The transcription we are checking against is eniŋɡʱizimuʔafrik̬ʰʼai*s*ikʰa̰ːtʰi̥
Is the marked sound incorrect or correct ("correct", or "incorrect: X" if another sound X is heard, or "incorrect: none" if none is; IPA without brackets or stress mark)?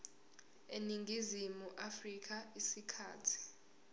correct